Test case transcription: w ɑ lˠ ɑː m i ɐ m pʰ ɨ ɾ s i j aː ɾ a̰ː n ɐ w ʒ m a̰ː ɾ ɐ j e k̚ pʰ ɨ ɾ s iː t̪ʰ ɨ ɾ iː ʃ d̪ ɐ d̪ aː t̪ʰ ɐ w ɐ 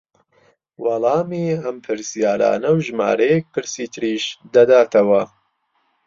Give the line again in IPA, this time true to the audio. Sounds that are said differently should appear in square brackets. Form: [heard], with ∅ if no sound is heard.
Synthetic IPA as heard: w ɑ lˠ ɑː m i ɐ m pʰ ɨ ɾ s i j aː ɾ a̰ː n ɐ w ʒ m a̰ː ɾ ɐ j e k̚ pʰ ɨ ɾ s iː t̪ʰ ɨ ɾ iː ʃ d̪ ɐ d̪ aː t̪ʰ ɐ w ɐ